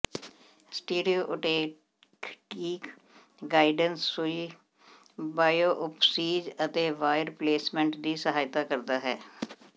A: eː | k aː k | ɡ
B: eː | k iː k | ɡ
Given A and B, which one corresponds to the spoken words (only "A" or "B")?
B